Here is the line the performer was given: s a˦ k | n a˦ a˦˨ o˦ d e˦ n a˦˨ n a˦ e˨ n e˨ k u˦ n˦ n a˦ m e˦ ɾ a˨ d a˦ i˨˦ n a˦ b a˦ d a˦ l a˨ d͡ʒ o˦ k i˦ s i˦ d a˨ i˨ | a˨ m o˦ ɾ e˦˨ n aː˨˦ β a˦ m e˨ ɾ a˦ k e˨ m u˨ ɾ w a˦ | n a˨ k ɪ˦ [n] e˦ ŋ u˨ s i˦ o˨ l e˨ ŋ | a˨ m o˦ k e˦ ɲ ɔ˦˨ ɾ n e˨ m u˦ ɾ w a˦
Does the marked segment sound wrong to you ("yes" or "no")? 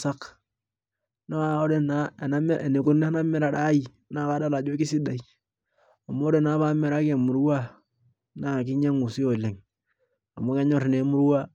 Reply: yes